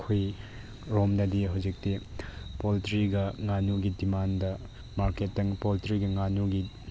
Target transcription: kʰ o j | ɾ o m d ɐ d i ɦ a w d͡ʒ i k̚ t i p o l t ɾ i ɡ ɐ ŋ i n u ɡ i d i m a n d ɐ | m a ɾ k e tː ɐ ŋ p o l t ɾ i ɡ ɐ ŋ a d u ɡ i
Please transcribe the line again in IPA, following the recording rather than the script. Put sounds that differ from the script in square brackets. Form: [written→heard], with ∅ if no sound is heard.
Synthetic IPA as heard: kʰ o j | ɾ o m d ɐ d i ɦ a w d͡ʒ i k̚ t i p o l t ɾ i ɡ ɐ ŋ [i→a] n u ɡ i d i m a n d ɐ | m a ɾ k e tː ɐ ŋ p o l t ɾ i ɡ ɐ ŋ a [d→n] u ɡ i